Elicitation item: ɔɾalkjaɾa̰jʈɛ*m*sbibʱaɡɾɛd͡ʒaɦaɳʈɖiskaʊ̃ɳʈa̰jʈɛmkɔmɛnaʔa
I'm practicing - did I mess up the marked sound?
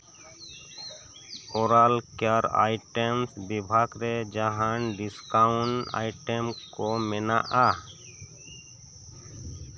no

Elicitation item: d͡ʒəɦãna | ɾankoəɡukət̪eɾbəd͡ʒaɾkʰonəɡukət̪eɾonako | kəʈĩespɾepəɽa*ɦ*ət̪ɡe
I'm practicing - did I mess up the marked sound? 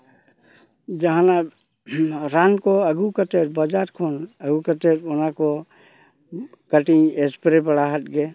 no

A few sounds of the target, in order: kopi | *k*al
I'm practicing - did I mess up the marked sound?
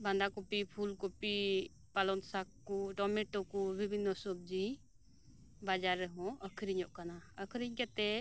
yes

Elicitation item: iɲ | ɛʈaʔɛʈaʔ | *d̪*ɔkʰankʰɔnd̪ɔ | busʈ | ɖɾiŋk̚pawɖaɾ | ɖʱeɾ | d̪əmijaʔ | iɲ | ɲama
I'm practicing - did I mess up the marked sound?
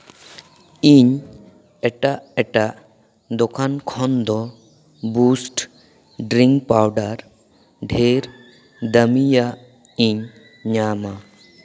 no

